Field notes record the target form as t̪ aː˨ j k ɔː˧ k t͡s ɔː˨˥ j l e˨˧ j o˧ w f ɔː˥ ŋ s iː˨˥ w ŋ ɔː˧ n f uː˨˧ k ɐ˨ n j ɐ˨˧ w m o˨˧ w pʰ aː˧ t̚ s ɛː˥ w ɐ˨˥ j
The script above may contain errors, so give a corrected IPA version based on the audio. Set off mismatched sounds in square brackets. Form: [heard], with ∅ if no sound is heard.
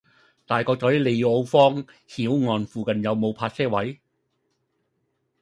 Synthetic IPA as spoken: t̪ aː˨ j k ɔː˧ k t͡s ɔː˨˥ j l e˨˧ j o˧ w f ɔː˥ ŋ [h] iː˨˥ w ŋ ɔː˧ n f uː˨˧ k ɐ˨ n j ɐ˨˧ w m o˨˧ w pʰ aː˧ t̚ s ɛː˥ w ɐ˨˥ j